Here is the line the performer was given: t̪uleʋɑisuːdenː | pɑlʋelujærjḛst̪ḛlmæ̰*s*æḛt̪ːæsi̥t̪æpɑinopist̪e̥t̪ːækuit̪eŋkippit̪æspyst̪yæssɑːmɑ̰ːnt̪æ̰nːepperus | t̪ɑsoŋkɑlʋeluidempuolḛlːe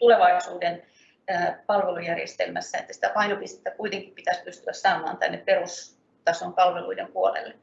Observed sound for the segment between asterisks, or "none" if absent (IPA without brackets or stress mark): sː